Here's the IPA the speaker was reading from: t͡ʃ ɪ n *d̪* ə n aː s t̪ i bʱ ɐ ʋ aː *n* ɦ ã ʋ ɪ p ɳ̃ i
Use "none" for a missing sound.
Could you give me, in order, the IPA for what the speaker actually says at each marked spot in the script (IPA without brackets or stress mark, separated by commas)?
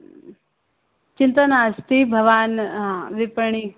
t̪, n